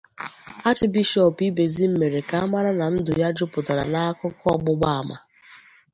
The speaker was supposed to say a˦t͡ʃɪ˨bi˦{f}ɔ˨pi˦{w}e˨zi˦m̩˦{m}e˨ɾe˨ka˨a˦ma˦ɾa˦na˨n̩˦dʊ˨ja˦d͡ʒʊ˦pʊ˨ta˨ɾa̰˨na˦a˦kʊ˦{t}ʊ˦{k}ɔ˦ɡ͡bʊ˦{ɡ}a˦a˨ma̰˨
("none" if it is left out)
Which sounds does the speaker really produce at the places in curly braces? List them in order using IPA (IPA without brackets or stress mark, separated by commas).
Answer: ʃ, b, m, k, none, ɡ͡b